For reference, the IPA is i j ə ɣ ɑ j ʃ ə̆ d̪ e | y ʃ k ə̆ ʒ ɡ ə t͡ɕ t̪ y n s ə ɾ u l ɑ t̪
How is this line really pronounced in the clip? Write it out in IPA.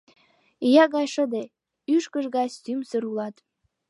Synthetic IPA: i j ɑ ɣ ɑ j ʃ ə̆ d̪ e | y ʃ k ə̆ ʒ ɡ ɑ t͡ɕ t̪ y m s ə ɾ u l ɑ t̪